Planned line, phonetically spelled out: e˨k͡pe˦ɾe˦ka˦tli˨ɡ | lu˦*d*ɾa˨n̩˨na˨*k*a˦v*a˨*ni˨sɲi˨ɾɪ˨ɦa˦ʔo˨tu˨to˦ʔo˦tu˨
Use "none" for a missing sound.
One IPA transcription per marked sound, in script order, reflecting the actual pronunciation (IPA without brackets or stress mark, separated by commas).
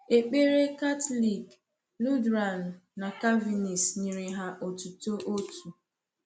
d, k, i˨